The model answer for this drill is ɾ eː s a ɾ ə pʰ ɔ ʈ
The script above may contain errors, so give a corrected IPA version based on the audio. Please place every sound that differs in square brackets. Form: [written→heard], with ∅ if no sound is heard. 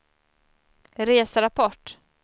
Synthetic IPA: ɾ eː s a ɾ [ə→a] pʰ ɔ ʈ